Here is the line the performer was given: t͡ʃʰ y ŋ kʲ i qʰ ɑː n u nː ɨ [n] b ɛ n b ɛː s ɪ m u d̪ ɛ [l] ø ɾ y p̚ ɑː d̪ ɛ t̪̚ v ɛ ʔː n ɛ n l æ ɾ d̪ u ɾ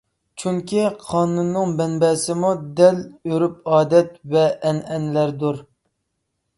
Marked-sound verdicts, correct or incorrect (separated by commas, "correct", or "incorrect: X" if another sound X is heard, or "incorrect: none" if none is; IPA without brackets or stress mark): incorrect: ŋ, correct